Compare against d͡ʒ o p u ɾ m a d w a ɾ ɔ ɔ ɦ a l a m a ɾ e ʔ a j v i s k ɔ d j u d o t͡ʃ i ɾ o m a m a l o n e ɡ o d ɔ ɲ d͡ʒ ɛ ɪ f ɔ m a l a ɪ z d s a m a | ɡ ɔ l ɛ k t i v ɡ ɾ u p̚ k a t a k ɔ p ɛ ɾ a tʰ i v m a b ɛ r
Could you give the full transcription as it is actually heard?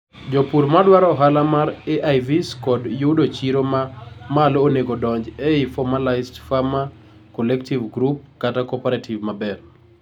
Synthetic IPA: d͡ʒ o p u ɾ m a d w a ɾ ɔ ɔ ɦ a l a m a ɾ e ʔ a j v i s k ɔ d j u d o t͡ʃ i ɾ o m a m a l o n e ɡ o d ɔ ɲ d͡ʒ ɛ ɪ f ɔ m a l a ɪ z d f a m a | k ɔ l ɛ k t i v ɡ ɾ u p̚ k a t a k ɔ p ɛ ɾ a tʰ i v m a b ɛ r